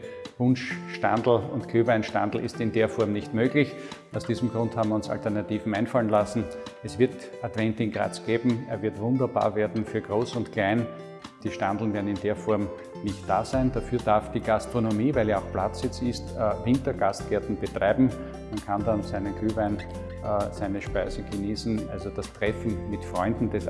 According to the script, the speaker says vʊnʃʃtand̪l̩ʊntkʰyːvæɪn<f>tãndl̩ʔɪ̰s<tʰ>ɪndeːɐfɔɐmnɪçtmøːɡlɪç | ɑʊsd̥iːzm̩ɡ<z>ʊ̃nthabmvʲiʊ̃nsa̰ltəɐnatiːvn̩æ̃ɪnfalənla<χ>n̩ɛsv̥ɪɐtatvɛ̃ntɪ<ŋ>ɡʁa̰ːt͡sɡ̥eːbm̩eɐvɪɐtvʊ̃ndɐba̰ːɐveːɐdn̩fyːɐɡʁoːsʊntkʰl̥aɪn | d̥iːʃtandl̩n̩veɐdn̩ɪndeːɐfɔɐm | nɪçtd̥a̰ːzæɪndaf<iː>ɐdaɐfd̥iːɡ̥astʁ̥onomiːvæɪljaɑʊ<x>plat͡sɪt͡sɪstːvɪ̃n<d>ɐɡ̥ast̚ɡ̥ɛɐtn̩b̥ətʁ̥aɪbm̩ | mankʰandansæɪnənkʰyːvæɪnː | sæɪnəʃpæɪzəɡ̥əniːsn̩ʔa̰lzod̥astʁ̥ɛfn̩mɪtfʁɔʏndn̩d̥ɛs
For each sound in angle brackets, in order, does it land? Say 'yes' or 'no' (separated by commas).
no, no, no, no, yes, no, yes, no